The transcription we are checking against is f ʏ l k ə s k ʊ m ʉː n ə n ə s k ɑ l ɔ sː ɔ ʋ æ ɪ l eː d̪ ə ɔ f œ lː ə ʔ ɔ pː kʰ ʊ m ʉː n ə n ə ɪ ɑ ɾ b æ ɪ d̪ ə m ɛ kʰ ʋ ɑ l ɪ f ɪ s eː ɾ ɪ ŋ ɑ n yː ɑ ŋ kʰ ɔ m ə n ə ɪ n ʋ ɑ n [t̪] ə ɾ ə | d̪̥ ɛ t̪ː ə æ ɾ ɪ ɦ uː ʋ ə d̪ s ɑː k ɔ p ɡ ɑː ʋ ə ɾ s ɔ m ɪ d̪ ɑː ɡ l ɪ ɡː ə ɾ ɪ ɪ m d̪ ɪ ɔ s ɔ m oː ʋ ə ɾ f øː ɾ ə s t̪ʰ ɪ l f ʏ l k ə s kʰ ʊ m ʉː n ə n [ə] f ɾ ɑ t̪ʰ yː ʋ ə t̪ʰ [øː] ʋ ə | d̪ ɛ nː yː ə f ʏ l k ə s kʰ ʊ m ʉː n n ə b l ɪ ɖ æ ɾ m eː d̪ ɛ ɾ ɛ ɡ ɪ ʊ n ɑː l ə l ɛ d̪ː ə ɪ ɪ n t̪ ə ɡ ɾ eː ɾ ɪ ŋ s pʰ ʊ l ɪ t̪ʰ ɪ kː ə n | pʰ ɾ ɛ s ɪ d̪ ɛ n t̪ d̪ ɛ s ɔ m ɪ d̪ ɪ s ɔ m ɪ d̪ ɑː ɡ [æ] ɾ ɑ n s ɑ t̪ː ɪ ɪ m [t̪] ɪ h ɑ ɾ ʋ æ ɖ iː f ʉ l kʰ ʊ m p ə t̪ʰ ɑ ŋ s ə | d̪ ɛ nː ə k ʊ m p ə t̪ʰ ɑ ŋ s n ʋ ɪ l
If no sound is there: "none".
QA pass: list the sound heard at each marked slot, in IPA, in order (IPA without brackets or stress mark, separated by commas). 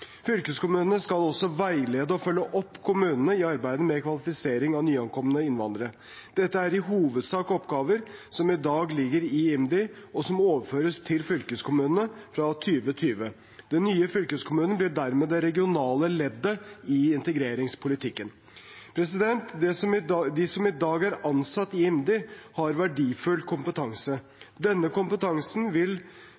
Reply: d̪, ə, yː, æ, d̪